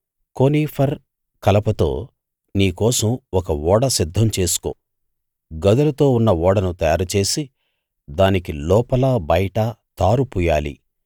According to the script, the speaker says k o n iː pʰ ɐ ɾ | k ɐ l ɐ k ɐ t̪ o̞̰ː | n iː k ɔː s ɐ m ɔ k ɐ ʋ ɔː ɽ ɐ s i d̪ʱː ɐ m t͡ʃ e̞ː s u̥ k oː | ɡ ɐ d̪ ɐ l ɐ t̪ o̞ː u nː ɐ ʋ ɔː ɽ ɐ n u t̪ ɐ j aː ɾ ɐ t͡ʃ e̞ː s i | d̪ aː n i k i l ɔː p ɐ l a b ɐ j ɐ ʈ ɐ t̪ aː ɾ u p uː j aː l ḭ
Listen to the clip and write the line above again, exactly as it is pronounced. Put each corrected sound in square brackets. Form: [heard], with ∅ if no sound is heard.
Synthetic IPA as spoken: k o n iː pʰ ɐ ɾ | k ɐ l ɐ [p] ɐ t̪ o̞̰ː | n iː k ɔː s ɐ m ɔ k ɐ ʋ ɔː ɽ ɐ s i d̪ʱː ɐ m t͡ʃ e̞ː s u̥ k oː | ɡ ɐ d̪ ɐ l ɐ t̪ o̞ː u nː ɐ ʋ ɔː ɽ ɐ n u t̪ ɐ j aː ɾ ɐ t͡ʃ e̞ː s i | d̪ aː n i k i l ɔː p ɐ l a b ɐ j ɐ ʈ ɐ t̪ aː ɾ u p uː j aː l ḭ